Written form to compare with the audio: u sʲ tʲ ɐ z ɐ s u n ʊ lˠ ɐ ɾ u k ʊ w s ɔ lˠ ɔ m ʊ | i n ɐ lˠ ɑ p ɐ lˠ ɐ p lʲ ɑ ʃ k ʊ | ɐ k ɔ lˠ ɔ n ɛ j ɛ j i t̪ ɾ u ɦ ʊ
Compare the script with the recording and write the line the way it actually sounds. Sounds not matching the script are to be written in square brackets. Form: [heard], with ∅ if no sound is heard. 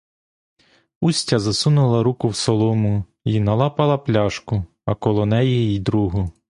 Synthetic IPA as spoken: u sʲ tʲ ɐ z ɐ s u n ʊ lˠ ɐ ɾ u k ʊ w s ɔ lˠ ɔ m ʊ | i n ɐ lˠ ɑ p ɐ lˠ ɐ p lʲ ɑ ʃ k ʊ | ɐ k ɔ lˠ ɔ n ɛ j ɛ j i [d̪] ɾ u ɦ ʊ